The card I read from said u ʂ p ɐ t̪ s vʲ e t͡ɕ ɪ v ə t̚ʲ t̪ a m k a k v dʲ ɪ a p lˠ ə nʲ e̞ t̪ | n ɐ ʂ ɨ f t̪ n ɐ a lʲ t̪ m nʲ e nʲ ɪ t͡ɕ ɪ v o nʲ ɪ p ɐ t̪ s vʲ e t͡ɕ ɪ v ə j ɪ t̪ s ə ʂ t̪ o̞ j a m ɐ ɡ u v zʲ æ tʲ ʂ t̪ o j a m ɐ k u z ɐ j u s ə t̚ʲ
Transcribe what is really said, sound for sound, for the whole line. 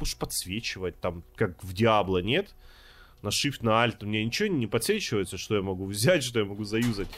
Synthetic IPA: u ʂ p ɐ t̪ s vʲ e t͡ɕ ɪ v ə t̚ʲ t̪ a m k a k v dʲ ɪ a b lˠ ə nʲ e̞ t̪ | n ɐ ʂ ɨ f t̪ n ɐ a lʲ t̪ m nʲ e nʲ ɪ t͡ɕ ɪ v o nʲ ɪ p ɐ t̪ s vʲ e t͡ɕ ɪ v ə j ɪ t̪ s ə ʂ t̪ o̞ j a m ɐ ɡ u v zʲ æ tʲ ʂ t̪ o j a m ɐ ɡ u z ɐ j u z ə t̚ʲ